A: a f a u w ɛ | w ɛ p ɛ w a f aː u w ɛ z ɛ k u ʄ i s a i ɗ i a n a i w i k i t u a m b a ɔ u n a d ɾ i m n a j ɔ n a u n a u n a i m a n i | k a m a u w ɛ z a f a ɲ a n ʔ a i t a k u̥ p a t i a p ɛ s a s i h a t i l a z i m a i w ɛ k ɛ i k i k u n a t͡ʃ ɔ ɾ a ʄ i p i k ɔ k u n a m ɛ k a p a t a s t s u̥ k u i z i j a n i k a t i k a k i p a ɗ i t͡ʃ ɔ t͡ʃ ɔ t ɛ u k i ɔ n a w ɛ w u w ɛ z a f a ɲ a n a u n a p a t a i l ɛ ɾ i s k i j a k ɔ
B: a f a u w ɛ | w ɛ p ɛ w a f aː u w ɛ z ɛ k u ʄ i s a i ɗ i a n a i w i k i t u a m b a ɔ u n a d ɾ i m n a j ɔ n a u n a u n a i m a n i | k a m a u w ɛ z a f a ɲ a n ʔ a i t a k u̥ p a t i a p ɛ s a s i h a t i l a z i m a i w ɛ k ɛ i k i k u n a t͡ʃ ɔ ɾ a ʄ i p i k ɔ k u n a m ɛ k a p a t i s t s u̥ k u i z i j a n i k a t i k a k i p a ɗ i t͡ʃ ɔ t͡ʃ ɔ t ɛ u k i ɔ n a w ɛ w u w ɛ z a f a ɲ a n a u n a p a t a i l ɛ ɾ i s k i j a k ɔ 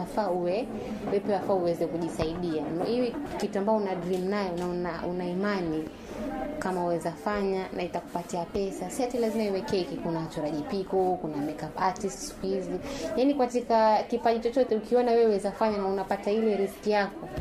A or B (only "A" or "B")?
B